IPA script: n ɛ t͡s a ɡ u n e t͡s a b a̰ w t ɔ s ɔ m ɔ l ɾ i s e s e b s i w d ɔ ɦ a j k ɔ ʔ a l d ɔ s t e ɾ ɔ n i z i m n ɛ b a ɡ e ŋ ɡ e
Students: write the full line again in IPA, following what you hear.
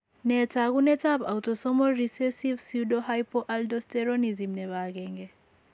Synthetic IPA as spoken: n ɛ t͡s a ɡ u n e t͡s a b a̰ w t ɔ s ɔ m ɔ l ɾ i s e s i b s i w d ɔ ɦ a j p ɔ ʔ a l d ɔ s t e ɾ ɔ n i z i m n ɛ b a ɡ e ŋ ɡ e

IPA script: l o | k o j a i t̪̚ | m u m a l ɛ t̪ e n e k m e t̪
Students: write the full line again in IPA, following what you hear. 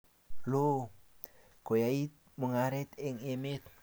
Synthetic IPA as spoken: l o | k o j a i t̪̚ | m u ŋ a ɾ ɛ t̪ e ŋ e m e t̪

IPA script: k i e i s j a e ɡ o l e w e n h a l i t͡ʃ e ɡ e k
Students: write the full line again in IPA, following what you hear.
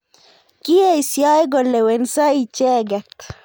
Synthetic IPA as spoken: k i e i s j a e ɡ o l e w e n s a i t͡ʃ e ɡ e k

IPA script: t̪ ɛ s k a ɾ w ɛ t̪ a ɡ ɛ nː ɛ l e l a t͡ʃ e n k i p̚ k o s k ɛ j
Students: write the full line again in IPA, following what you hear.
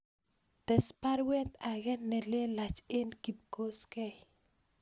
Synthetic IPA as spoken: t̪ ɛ s p a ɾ w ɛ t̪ a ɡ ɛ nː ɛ l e l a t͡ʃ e n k i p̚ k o s k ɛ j

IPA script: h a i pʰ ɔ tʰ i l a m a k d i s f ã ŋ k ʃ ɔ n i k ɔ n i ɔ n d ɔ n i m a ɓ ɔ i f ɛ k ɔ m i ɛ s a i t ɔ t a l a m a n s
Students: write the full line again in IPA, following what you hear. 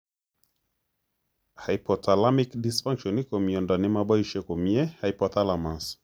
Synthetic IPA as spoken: h a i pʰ ɔ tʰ a l a m i k d i s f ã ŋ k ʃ ɔ n i k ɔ m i ɔ n d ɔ n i m a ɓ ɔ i ʃ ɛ k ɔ m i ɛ h a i p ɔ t a l a m a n s

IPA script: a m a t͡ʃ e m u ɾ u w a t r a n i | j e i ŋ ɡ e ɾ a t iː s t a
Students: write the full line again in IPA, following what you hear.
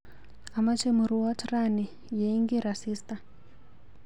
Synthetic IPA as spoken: a m a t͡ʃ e m u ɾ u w a t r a n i | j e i ŋ ɡ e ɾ a s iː s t a

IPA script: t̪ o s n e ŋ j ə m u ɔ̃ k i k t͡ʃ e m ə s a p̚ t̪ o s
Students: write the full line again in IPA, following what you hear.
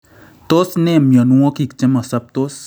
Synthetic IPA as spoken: t̪ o s n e m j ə n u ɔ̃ k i k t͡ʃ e m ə s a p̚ t̪ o s

